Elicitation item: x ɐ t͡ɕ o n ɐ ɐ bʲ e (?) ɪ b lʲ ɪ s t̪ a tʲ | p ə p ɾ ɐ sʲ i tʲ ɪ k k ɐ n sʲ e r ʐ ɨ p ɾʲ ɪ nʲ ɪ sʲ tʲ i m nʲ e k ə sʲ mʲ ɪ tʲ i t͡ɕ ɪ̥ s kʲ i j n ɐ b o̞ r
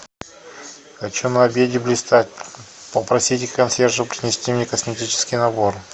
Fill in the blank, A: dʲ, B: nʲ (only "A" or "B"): A